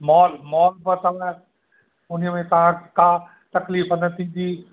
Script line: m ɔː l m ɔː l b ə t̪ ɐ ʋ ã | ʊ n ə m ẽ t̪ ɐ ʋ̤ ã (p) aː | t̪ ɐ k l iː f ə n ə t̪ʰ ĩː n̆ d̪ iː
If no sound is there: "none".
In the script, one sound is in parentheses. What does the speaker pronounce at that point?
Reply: k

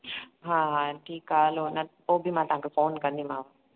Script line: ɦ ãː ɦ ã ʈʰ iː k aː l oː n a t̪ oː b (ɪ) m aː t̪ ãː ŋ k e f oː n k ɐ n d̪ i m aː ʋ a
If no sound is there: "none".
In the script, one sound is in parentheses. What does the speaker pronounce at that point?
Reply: i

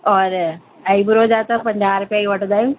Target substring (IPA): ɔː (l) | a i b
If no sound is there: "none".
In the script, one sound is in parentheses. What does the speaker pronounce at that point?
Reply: ɾ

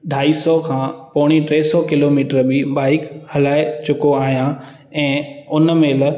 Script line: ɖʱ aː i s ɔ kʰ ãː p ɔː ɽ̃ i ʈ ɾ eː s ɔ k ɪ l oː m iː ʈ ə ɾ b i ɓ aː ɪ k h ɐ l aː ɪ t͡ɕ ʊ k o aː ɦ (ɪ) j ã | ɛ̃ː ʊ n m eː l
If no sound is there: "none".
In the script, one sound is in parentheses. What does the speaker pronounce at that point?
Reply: i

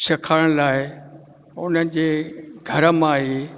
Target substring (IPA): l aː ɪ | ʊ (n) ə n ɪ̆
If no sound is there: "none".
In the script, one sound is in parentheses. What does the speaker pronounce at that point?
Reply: n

